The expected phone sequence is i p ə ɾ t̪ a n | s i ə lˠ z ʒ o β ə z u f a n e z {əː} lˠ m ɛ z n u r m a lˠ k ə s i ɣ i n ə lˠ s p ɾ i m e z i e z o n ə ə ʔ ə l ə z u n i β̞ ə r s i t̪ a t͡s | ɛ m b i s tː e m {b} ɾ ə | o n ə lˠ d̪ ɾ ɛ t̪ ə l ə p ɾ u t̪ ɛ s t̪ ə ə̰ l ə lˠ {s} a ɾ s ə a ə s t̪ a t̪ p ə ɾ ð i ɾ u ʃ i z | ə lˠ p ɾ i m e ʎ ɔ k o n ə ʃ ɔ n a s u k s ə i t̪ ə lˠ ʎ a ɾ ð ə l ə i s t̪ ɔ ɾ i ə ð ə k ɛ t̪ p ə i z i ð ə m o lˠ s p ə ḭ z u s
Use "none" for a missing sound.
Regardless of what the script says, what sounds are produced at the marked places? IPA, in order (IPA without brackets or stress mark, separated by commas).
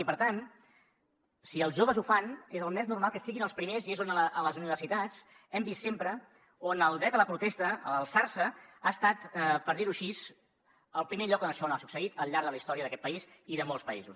ə, p, s